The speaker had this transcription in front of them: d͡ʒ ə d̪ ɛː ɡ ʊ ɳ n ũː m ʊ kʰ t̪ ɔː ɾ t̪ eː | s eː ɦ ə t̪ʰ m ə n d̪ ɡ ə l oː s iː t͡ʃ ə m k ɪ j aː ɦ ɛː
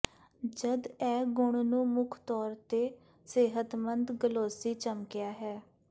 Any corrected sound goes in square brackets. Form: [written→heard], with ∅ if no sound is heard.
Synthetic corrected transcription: d͡ʒ ə d̪ ɛː ɡ ʊ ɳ n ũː m ʊ kʰ t̪ ɔː ɾ t̪ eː | s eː ɦ ə [t̪ʰ→t̪] m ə n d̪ ɡ ə l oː s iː t͡ʃ ə m k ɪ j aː ɦ ɛː